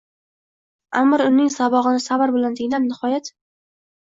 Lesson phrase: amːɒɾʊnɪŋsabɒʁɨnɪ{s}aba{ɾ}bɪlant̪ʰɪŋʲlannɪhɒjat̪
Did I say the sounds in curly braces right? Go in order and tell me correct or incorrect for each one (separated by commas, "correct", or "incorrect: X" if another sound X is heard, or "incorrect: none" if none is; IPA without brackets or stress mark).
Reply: correct, correct